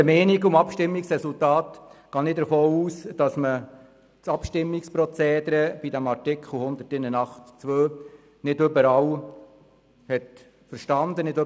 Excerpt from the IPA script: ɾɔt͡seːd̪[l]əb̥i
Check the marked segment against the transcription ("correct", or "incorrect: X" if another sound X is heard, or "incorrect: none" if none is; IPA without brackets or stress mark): incorrect: ɾ